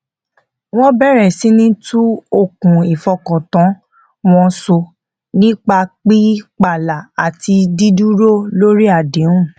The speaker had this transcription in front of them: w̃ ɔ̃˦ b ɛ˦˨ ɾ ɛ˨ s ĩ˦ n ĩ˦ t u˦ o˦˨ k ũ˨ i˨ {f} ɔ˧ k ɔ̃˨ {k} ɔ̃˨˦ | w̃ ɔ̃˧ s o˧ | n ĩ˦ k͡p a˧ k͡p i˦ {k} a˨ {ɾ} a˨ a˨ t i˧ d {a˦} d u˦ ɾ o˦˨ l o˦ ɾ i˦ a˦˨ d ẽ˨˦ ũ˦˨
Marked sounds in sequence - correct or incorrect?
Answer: correct, incorrect: t, incorrect: k͡p, incorrect: l, incorrect: i˦

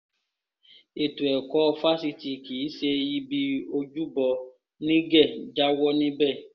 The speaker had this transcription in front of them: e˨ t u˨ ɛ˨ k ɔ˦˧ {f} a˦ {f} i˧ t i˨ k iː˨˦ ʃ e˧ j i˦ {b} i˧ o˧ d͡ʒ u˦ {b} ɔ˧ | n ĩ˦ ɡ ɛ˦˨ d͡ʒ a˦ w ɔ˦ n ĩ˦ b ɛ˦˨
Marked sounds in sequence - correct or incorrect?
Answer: correct, incorrect: s, correct, correct

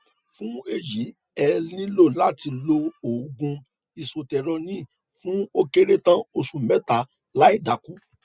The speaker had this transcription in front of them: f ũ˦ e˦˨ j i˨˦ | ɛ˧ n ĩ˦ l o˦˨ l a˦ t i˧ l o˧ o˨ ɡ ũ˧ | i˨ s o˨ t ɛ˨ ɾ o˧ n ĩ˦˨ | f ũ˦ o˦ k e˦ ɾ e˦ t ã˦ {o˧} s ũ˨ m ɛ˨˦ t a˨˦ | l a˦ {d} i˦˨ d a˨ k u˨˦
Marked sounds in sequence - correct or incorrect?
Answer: correct, incorrect: none

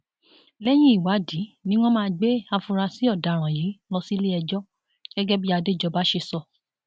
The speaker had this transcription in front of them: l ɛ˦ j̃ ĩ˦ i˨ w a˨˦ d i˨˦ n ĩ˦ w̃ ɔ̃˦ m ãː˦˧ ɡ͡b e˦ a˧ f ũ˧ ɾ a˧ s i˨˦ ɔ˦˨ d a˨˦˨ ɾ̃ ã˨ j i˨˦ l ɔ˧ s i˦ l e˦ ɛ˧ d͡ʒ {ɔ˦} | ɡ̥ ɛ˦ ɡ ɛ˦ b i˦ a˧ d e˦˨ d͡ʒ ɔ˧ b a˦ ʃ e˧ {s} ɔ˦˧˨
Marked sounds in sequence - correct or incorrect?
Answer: correct, correct

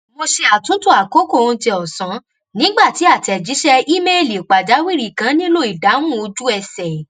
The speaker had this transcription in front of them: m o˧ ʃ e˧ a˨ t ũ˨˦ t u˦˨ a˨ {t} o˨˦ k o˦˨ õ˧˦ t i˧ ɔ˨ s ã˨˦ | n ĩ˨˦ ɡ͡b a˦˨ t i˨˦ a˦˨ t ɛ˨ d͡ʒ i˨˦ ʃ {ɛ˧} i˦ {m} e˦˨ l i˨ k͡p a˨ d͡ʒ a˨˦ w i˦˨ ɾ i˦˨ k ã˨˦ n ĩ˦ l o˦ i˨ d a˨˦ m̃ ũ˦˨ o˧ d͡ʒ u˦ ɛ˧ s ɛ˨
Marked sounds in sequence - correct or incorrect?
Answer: incorrect: k, correct, correct

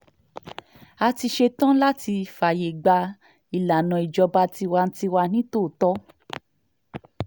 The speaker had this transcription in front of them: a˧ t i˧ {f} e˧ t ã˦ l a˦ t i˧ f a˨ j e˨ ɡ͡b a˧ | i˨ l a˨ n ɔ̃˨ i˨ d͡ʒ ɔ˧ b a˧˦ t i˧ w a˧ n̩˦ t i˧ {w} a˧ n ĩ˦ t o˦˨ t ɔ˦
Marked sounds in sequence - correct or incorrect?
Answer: incorrect: ʃ, correct

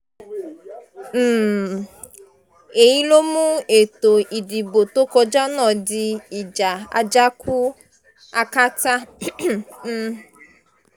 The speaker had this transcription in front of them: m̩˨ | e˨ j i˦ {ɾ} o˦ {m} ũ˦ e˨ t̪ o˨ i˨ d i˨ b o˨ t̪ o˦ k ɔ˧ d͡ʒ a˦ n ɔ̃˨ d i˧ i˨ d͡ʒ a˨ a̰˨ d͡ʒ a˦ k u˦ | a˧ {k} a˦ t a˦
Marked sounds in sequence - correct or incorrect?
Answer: incorrect: l, correct, correct

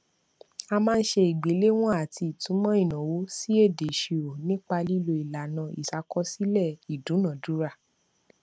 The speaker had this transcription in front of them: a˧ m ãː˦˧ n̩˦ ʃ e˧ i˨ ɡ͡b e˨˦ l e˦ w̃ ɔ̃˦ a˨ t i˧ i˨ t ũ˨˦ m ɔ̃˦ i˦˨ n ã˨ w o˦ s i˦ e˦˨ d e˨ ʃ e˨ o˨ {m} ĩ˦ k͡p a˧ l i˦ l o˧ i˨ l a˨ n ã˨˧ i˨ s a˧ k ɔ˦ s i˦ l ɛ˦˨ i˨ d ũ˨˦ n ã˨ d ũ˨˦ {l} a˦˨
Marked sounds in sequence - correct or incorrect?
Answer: incorrect: n, incorrect: ɾ

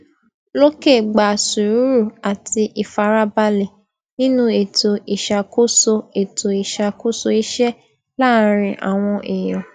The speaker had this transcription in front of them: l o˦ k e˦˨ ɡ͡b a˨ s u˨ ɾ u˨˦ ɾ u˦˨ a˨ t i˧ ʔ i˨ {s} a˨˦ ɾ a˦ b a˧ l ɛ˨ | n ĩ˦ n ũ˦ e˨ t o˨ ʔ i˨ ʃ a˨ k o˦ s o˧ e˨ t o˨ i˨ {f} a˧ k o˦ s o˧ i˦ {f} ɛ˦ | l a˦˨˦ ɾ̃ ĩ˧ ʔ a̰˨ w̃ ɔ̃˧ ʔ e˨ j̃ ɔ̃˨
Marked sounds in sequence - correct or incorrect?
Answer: incorrect: f, incorrect: ʃ, incorrect: ʃ

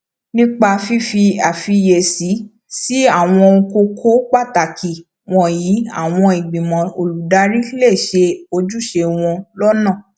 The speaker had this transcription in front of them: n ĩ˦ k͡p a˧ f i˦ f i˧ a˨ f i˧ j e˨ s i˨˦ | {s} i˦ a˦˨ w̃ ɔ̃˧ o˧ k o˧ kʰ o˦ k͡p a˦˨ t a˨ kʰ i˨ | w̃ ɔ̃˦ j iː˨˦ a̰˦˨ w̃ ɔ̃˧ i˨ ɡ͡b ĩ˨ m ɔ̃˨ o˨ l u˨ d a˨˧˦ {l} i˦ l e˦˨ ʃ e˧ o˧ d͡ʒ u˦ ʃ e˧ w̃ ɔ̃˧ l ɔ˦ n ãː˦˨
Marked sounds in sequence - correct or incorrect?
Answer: correct, incorrect: ɾ

